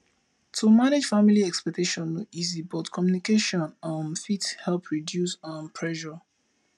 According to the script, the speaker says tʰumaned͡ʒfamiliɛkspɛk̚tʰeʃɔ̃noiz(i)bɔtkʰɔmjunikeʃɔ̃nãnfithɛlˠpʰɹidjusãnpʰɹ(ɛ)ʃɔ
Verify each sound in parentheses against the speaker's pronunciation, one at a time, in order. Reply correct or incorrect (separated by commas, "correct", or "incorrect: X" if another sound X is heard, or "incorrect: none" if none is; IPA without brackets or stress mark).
correct, correct